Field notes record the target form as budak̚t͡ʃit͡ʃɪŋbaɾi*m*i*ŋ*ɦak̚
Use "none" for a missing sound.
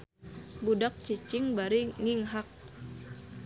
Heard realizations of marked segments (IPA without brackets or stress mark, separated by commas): ŋ, ŋ